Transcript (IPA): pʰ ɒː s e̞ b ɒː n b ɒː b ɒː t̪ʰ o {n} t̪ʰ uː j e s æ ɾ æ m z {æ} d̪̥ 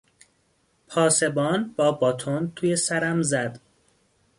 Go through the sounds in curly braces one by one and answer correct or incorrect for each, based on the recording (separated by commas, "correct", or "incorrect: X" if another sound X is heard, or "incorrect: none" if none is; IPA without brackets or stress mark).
correct, correct